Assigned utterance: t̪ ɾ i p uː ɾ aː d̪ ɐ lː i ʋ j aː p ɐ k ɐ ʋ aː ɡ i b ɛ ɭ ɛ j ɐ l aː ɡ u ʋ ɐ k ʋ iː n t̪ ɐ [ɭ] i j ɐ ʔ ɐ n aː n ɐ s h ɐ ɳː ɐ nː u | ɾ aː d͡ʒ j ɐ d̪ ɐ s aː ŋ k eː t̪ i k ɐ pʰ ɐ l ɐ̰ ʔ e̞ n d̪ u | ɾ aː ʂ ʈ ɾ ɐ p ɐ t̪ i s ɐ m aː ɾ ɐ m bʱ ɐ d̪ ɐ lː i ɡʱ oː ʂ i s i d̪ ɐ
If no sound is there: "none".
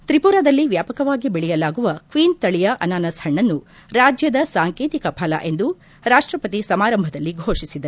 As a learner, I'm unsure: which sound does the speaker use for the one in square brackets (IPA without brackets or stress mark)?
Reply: ɭ